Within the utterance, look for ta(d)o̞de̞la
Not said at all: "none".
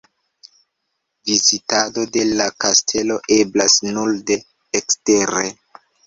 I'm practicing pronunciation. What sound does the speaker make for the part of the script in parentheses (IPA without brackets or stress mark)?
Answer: d